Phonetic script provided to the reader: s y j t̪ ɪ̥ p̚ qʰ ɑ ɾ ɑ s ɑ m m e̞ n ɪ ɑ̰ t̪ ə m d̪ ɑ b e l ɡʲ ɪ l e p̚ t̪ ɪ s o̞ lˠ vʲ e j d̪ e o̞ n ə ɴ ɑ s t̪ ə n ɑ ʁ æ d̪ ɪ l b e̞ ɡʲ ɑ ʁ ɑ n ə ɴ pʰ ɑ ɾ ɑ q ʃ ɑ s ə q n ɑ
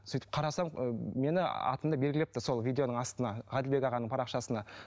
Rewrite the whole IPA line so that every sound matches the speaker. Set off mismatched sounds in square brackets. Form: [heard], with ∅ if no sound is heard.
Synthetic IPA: s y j t̪ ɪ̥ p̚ qʰ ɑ ɾ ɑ s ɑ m m e̞ n ɪ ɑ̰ t̪ ə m d̪ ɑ b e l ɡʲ ɪ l e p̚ t̪ ɪ s o̞ lˠ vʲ [i] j d̪ e o̞ n ə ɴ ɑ s t̪ ə n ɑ ʁ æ d̪ ɪ l b e̞ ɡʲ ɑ ʁ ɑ n ə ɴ pʰ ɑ ɾ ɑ q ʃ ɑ s ə [∅] n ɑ